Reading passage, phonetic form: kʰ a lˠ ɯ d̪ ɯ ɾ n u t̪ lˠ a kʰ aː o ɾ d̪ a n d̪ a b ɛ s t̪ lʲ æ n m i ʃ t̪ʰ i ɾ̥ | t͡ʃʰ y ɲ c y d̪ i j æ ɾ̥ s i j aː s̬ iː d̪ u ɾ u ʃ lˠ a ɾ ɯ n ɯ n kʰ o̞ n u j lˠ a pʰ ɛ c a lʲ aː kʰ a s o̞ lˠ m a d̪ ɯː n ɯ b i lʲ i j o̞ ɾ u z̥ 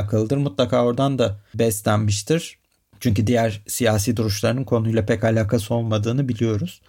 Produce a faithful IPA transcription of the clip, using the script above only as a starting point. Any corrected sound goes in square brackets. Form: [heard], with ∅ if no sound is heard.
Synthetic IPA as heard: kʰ a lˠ ɯ d̪ ɯ ɾ [m] u t̪ lˠ a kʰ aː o ɾ d̪ a n d̪ a b ɛ s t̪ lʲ æ n m i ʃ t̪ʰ i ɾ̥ | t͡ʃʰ y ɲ c y d̪ i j æ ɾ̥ s i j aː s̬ iː d̪ u ɾ u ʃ lˠ a ɾ ɯ n ɯ n kʰ o̞ n u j lˠ a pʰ ɛ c a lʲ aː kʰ a s o̞ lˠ m a d̪ ɯː n ɯ b i lʲ i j o̞ ɾ u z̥